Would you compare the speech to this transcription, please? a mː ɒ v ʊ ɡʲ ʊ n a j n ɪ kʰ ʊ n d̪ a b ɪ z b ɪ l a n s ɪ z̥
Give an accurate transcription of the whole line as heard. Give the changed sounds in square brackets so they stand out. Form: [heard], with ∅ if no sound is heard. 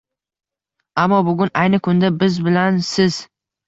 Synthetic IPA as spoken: a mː ɒ [b] ʊ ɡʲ ʊ n a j n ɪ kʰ ʊ n d̪ a b ɪ z b ɪ l a n s ɪ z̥